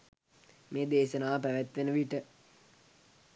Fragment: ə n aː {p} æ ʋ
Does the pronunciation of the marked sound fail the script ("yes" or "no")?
no